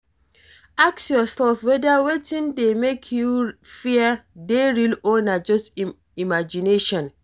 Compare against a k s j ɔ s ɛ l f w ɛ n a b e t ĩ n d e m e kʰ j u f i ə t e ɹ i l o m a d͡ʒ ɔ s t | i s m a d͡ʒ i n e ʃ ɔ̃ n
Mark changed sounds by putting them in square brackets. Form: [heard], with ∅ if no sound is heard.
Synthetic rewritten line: a k s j ɔ s ɛ l f w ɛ [d] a [w] e t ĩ n d e m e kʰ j u f i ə [d] e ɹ i l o [n] a d͡ʒ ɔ s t | i [∅] m a d͡ʒ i n e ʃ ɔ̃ n